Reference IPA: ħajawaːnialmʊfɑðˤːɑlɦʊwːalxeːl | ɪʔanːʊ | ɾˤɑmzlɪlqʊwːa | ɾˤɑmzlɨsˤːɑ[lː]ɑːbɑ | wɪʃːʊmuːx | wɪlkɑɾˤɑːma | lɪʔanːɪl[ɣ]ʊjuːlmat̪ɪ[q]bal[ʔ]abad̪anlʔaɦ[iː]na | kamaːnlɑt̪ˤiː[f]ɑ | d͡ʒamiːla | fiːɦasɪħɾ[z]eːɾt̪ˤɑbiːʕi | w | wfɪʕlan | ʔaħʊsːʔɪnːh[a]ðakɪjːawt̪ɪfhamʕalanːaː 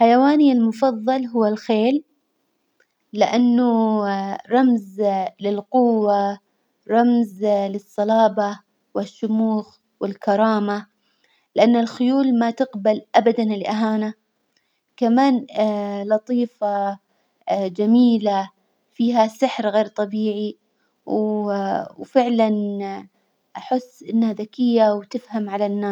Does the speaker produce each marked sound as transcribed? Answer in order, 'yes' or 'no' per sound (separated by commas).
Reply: no, no, yes, yes, no, yes, no, yes